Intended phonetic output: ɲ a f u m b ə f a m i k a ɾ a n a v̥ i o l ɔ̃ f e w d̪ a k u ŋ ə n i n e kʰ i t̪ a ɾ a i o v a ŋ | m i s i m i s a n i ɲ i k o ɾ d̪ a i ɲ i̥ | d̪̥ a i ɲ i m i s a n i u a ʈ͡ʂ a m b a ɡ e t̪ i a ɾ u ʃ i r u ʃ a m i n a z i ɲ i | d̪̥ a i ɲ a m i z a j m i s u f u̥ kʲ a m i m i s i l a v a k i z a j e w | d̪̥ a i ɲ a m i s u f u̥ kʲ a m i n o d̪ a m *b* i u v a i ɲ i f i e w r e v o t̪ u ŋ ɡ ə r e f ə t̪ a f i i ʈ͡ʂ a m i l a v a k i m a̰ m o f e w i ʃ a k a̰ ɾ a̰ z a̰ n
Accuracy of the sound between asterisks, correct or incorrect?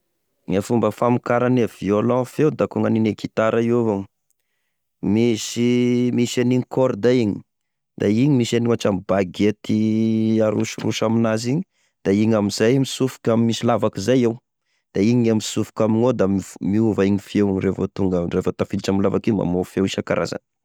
incorrect